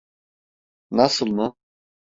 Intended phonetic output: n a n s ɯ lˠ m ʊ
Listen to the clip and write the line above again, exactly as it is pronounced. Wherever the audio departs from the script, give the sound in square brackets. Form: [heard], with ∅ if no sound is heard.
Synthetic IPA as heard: n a [∅] s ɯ lˠ m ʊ